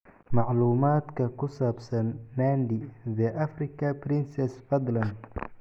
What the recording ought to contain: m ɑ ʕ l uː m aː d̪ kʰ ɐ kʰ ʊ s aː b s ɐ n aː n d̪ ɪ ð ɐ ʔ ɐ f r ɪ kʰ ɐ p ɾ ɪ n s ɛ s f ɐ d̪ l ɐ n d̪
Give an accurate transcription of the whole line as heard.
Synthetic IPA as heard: m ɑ ʕ l uː m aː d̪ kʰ ɐ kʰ ʊ s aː b s ɐ nː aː n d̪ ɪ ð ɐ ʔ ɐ f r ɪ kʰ ɐ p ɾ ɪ n s ɛ s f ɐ d̪ l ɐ n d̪